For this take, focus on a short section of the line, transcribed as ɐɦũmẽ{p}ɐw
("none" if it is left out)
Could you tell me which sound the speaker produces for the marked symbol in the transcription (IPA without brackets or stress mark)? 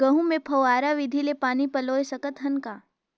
pʰ